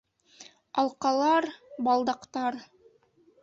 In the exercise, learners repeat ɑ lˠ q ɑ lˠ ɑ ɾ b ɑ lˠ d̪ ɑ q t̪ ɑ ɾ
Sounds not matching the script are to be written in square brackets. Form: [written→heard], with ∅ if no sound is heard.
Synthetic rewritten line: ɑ lˠ q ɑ lˠ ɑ ɾ b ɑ lˠ d̪ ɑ q t̪ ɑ ɾ